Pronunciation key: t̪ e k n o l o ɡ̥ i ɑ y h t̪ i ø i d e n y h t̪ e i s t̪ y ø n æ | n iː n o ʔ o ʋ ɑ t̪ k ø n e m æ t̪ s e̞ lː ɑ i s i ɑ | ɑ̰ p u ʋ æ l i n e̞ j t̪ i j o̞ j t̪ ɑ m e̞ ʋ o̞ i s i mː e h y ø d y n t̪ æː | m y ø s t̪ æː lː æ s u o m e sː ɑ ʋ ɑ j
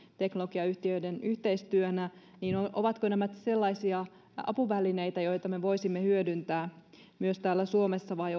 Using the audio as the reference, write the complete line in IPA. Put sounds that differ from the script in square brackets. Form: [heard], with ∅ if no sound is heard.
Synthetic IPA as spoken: t̪ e k n o l o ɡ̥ i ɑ y h t̪ i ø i d e n y h t̪ e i s t̪ y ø n æ | n iː n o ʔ o ʋ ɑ t̪ k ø n [æ] m æ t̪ s e̞ lː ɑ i s i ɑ | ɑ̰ p u ʋ æ l i n e̞ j t̪ [æ] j o̞ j t̪ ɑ m e̞ ʋ o̞ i s i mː e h y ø d y n t̪ æː | m y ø s t̪ æː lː æ s u o m e sː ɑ ʋ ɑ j